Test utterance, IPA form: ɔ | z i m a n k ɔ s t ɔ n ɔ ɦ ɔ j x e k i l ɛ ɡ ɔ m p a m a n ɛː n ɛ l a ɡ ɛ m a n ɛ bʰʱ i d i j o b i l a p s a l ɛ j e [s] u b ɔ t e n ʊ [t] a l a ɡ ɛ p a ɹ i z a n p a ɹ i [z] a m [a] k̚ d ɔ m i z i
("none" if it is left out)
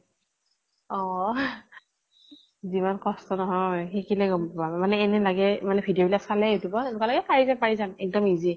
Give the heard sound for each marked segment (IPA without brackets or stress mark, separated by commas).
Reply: t, k, z, ɛ